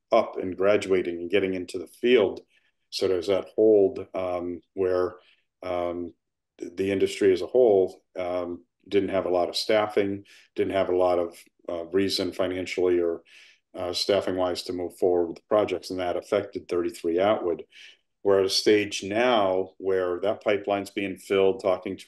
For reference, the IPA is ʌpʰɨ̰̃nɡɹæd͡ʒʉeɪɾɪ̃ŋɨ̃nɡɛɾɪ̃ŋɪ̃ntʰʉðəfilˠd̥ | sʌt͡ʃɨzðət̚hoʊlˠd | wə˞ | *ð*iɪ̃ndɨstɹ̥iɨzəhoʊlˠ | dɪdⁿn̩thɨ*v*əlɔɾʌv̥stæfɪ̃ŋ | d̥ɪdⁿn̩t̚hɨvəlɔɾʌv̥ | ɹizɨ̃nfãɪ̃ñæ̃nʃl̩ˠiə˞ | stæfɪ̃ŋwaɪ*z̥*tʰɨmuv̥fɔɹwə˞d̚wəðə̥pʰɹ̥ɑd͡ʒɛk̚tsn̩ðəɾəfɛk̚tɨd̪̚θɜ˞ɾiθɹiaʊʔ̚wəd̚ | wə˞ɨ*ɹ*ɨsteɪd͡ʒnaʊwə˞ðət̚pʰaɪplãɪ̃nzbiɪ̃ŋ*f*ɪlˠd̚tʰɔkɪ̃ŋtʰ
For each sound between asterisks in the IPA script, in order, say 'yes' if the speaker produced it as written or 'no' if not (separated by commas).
yes, yes, yes, no, yes